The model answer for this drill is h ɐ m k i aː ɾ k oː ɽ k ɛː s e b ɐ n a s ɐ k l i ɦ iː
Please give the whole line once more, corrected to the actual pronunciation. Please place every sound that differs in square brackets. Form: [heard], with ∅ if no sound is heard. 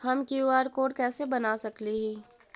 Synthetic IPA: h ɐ m k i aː ɾ k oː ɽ k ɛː s e b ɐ n a s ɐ k l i ɦ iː

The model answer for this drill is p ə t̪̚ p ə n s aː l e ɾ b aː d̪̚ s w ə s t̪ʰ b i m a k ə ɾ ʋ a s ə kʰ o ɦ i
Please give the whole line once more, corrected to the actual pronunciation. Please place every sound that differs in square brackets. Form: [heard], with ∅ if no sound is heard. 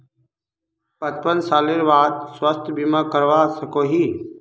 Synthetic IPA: p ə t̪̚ p ə n s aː l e ɾ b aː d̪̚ s w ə s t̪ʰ b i m a k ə ɾ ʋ a s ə [k] o ɦ i

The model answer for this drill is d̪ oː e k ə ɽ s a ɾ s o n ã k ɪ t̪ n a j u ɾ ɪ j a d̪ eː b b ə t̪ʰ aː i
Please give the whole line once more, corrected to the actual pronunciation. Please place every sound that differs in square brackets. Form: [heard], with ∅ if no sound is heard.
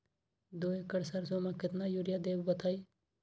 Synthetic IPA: d̪ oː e k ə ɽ s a ɾ s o [m] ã k ɪ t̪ n a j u ɾ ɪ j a d̪ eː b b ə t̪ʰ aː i

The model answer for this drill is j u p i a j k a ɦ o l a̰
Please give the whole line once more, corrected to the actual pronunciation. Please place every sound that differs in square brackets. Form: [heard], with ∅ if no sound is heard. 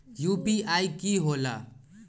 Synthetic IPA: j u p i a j k [i] ɦ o l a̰

